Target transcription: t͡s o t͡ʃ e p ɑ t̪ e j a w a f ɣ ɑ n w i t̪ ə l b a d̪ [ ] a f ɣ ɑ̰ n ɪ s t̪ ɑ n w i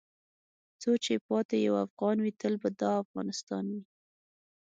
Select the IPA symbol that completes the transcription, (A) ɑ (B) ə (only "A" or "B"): A